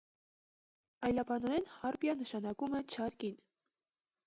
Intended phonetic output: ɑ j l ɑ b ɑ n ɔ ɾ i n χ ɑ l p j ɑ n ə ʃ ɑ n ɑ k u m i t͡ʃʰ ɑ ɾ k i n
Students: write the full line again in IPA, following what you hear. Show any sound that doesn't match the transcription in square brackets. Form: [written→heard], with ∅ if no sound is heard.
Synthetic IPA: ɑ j l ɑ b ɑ n ɔ ɾ [i→ɛ] n [χ→h] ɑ [l→ɾ] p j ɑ n ə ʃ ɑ n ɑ k u m [i→ɛ] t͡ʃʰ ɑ ɾ k i n